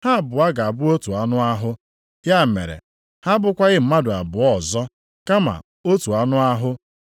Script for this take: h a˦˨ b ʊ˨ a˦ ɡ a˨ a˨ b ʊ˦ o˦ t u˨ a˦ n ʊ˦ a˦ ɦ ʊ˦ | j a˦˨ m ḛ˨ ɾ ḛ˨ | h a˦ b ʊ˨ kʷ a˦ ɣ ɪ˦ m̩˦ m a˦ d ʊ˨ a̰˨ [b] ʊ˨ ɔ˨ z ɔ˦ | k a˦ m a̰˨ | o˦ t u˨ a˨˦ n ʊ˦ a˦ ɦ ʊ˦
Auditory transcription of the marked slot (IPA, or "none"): b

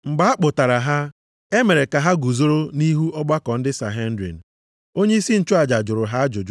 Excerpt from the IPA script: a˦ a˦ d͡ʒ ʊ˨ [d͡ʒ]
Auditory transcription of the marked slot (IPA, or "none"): d͡ʒ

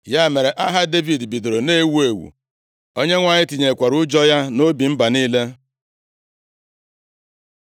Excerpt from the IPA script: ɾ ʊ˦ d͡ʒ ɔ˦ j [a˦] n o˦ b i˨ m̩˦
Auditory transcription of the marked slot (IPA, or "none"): a˦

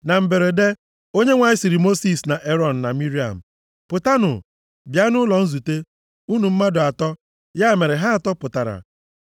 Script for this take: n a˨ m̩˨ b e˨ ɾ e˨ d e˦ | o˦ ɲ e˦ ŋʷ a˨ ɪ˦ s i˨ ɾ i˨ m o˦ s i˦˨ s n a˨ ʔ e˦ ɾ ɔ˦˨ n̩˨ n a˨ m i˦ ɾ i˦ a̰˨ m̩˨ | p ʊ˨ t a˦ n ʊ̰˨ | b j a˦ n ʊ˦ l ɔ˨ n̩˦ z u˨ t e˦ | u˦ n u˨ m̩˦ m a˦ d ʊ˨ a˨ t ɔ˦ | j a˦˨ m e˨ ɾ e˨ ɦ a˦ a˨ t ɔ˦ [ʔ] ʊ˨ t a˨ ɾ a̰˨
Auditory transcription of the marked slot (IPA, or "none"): p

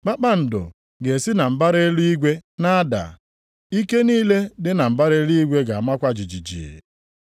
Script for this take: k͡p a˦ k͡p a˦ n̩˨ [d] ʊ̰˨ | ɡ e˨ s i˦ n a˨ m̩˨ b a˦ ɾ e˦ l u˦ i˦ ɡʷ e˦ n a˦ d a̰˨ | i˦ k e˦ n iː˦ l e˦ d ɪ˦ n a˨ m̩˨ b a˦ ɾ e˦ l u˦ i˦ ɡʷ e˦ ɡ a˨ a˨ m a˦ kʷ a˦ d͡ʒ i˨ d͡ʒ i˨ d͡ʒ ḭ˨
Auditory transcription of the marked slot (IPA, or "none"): d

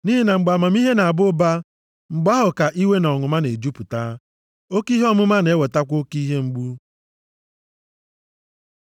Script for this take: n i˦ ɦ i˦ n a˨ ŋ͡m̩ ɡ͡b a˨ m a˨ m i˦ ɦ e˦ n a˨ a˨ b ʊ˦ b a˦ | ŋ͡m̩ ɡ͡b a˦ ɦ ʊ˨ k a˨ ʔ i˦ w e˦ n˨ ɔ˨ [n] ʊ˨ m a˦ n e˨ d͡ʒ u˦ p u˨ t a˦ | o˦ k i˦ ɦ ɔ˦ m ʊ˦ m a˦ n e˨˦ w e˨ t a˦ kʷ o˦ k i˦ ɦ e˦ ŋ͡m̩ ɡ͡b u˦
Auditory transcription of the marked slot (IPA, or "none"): ŋ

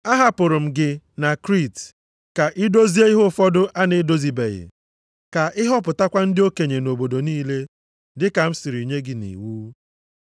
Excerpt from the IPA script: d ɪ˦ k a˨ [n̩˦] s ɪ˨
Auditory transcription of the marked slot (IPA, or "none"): m̩˦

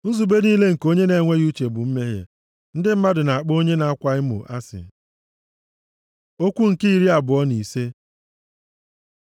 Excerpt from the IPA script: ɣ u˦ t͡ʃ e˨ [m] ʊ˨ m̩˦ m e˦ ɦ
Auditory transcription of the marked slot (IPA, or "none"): b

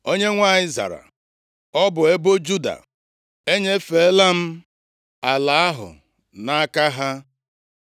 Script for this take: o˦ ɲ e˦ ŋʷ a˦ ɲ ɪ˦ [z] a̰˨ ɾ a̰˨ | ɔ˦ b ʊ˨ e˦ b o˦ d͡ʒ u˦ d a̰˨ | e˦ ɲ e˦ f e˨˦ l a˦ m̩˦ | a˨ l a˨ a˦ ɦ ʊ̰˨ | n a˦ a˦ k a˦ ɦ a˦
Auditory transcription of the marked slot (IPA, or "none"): z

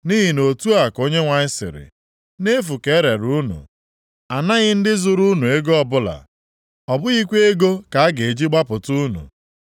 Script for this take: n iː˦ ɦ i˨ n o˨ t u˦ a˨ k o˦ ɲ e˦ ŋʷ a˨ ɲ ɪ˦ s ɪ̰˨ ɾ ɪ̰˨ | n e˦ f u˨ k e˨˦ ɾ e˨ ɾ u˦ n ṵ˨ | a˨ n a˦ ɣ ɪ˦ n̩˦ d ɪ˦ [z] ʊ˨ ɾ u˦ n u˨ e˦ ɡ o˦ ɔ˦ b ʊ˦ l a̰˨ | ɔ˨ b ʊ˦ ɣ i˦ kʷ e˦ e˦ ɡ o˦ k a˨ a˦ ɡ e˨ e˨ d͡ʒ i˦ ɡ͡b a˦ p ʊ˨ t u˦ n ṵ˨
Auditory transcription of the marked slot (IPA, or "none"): z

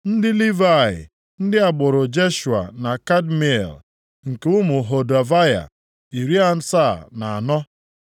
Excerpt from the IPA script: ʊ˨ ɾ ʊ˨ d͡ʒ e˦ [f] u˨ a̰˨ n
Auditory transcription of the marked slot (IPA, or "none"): ʃ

